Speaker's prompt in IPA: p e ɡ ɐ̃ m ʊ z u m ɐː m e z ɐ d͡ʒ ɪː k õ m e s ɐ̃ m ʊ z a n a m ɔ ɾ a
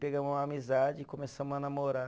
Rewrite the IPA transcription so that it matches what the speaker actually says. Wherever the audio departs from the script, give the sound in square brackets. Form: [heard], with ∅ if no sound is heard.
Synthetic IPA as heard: p e ɡ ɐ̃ m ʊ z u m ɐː m [i] z [a] d͡ʒ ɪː k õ m e s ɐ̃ m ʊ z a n a m [o] ɾ a

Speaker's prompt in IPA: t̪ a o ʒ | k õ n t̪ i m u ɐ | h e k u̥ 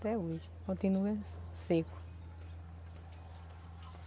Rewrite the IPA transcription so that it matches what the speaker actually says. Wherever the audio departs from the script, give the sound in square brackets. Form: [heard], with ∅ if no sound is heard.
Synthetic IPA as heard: t̪ [ɛ] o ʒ | k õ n t̪ i [n] u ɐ | [s] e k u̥

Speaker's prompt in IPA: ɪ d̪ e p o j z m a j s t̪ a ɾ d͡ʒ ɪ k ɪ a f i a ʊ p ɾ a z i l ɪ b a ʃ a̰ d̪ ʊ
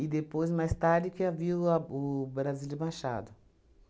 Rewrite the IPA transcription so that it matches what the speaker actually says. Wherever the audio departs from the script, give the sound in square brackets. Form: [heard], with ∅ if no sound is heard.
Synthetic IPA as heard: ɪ d̪ e p o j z m a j s t̪ a ɾ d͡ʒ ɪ k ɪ a [v] i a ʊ [b] ɾ a z i l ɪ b a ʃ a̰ d̪ ʊ

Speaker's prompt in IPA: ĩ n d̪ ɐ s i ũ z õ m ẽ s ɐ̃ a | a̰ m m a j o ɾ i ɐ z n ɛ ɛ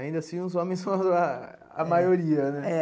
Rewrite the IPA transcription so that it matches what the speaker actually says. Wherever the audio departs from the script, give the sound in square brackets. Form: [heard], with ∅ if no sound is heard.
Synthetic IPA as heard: ĩ n d̪ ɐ s [ĩ] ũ z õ m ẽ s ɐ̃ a | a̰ m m a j o ɾ i ɐ [∅] n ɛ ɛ

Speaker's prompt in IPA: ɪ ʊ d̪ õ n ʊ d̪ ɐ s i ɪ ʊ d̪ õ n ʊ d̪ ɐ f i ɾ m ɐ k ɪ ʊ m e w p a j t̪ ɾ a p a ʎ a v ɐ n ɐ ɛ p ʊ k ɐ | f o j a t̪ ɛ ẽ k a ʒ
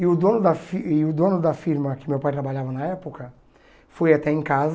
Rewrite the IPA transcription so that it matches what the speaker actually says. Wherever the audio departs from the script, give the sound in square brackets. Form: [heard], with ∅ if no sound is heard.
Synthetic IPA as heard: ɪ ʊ d̪ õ n ʊ d̪ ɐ [f] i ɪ ʊ d̪ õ n ʊ d̪ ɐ f i ɾ m ɐ k ɪ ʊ m e w p a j t̪ ɾ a [b] a ʎ a v ɐ n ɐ ɛ p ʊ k ɐ | f o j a t̪ ɛ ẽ k a [z]

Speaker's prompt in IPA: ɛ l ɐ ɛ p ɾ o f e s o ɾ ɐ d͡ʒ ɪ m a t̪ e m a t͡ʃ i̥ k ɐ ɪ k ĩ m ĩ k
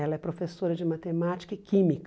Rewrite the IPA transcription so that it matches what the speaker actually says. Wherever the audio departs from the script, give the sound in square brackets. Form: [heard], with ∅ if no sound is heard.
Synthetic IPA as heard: ɛ l ɐ ɛ p ɾ o f e s o ɾ ɐ d͡ʒ ɪ m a t̪ e m a t͡ʃ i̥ k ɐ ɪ k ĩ m [i] k

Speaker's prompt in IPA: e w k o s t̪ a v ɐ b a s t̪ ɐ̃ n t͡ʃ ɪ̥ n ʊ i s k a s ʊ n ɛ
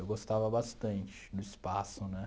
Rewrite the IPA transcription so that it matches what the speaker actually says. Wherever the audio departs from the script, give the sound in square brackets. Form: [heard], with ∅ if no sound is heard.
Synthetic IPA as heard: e w [ɡ] o s t̪ a v ɐ b a s t̪ ɐ̃ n t͡ʃ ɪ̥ n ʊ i s [p] a s ʊ n ɛ

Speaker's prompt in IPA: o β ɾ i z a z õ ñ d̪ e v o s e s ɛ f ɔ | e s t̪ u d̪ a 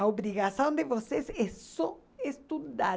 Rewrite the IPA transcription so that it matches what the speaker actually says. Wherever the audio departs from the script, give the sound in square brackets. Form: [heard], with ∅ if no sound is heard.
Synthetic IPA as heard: o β ɾ i [ɣ] a [s] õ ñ d̪ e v o s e s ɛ [s] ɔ | e s t̪ u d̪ a

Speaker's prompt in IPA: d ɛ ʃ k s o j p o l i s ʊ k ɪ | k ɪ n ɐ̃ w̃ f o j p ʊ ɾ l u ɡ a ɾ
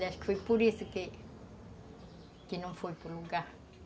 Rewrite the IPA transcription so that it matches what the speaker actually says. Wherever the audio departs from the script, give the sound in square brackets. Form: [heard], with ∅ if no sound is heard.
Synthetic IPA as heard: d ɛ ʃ k [f] o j p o [ɾ] i s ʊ k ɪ | k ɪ n ɐ̃ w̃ f o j p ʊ ɾ l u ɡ a ɾ

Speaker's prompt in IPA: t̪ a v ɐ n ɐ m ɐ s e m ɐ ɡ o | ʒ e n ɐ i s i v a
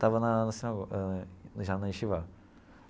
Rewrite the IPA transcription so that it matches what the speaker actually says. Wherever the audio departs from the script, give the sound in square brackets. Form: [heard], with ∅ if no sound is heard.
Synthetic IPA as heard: t̪ a v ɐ n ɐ [n] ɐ s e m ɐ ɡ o | ʒ [a] n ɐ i [ʃ] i v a

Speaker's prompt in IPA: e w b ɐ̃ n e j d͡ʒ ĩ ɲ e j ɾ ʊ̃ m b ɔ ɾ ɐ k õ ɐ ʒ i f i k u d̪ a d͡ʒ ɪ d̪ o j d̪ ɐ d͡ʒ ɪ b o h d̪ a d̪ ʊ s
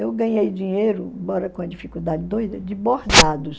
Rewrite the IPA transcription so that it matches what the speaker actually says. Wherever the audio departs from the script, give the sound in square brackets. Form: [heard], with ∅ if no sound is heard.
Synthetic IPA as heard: e w [ɡ] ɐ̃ [ɲ] e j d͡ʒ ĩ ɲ e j ɾ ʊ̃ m b ɔ ɾ ɐ k õ ɐ [d͡ʒ] i f i k u d̪ a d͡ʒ ɪ d̪ o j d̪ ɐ d͡ʒ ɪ b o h d̪ a d̪ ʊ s

